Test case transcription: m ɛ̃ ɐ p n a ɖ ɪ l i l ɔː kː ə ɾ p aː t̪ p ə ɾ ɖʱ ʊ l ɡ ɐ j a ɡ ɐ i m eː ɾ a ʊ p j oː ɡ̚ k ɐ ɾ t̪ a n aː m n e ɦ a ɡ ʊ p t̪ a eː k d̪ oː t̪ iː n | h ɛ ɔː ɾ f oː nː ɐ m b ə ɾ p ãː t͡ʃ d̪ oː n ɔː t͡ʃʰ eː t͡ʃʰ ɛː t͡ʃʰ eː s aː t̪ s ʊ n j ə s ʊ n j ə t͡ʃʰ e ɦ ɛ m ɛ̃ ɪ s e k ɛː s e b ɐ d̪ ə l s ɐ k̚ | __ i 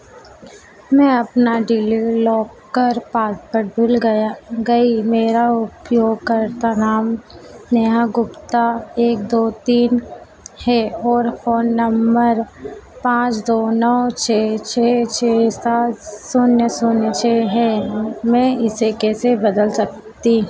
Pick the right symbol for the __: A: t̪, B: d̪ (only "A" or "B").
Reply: A